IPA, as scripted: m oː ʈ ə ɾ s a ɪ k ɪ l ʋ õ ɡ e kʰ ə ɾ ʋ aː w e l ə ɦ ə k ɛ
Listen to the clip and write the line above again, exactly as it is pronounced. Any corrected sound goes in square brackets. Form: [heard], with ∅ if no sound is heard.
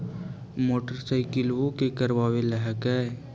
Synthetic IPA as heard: m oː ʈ ə ɾ s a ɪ k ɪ l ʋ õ [k] e [k] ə ɾ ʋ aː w e l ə ɦ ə k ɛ